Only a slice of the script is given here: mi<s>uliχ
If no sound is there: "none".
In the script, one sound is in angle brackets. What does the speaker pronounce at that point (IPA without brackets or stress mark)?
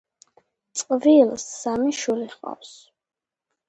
ʃ